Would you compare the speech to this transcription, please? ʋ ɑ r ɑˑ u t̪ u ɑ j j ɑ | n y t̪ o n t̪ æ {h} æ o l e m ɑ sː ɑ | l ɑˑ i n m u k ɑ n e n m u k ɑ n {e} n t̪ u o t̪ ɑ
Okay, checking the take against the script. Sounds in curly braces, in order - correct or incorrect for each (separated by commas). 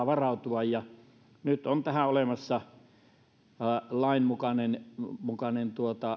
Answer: correct, correct